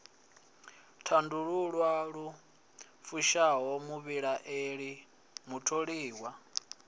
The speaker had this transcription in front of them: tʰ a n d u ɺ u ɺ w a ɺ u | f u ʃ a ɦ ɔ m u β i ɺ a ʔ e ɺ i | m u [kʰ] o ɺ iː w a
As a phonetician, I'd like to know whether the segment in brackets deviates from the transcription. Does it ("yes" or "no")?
yes